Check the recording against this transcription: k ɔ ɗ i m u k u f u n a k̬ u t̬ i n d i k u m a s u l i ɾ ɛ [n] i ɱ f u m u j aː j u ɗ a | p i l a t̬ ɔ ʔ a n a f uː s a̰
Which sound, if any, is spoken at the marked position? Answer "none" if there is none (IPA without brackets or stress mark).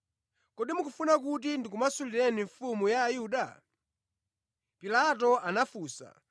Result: n